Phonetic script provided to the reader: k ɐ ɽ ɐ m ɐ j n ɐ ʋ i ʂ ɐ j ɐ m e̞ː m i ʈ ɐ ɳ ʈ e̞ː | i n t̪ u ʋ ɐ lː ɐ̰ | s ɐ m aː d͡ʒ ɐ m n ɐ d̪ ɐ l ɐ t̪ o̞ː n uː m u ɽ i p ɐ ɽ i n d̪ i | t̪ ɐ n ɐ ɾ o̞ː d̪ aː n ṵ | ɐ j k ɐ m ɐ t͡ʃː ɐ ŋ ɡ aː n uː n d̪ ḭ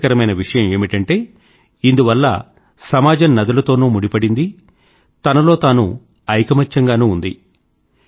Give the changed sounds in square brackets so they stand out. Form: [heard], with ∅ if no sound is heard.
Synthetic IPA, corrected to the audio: k ɐ [ɾ] ɐ m ɐ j n ɐ ʋ i ʂ ɐ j ɐ m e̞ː m i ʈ ɐ ɳ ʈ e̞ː | i n [d̪] u ʋ ɐ lː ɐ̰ | s ɐ m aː d͡ʒ ɐ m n ɐ d̪ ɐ l ɐ t̪ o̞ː n uː m u ɽ i p ɐ ɽ i n d̪ i | t̪ ɐ n ɐ [l] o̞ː [t̪] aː n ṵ | ɐ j k ɐ m ɐ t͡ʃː ɐ ŋ ɡ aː n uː n d̪ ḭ